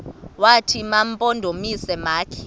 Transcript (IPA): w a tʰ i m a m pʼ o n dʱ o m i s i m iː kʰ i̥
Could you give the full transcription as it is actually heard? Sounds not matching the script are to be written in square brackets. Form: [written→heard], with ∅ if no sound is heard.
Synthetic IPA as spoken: w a tʰ i m a m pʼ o n dʱ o m i s [i→ɛ] m [iː→aː] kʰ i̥